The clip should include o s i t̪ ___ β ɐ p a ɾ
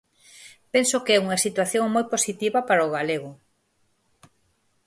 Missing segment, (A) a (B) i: B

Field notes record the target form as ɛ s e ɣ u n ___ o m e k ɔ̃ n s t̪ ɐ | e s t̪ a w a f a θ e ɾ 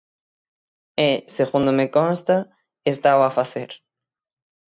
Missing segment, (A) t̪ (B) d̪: B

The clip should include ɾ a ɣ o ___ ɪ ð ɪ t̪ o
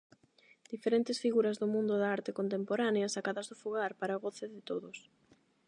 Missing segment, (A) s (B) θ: B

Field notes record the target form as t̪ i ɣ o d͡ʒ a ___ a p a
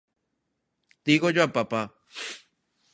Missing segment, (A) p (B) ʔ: A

